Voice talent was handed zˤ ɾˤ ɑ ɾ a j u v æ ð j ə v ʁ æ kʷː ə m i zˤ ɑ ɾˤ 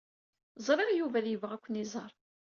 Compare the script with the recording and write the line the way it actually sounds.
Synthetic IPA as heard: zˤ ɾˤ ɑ ɾ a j u v æ ð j ə v ʁ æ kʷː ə n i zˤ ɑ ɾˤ